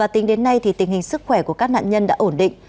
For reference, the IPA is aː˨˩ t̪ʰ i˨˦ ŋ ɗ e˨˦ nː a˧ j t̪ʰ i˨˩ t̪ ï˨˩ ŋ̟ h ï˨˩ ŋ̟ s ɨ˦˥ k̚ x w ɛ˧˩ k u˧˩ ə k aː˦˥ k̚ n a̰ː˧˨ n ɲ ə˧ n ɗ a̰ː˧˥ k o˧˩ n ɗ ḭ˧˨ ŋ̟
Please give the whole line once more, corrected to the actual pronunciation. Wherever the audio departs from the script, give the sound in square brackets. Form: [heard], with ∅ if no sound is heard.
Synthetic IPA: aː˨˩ [t̪] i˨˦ ŋ ɗ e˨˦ nː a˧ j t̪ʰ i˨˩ t̪ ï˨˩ ŋ̟ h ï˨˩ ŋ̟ s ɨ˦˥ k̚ x w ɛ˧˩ k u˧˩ ə k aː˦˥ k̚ n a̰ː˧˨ n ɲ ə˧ n ɗ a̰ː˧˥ [ʔ] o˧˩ n ɗ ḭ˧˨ ŋ̟